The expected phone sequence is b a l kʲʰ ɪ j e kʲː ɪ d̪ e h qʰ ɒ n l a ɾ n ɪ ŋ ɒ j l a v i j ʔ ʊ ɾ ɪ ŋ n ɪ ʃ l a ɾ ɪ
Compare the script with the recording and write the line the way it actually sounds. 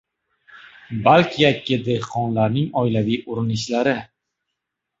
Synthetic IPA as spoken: b a l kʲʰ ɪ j a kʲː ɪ d̪ e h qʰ ɒ n l a ɾ n ɪ ŋ ɒ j l a v i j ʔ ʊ ɾ ɪ n ɪ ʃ l a ɾ ɪ